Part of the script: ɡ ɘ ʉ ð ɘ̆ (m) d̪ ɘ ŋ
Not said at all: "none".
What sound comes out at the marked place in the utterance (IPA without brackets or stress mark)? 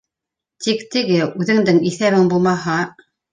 ŋ